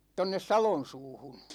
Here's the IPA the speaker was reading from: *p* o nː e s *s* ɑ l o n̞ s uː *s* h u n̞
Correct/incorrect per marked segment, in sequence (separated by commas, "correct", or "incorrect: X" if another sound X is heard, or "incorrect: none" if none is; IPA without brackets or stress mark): incorrect: t, correct, incorrect: none